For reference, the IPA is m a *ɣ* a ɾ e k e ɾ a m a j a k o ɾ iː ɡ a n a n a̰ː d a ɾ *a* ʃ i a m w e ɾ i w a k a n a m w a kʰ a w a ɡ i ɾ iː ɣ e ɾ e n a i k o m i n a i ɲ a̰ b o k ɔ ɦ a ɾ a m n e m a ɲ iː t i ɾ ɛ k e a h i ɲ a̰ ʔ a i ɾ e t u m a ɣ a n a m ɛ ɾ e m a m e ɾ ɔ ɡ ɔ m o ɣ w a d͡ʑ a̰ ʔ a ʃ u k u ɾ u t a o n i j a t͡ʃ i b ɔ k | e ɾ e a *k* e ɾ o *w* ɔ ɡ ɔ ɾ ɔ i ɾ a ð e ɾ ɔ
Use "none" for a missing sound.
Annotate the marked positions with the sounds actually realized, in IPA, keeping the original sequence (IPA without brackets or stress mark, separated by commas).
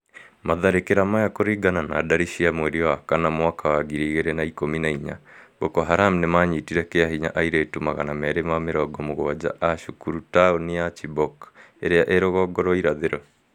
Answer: ð, i, ʔ, ɣ